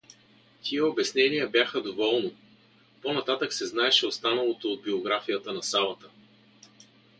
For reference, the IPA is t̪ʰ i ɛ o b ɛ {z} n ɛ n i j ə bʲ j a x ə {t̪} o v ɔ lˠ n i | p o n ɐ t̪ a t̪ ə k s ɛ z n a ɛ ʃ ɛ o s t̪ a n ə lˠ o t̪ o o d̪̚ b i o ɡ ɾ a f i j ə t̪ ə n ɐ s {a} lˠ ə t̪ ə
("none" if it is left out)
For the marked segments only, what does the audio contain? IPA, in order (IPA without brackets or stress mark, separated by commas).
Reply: s, d̪, a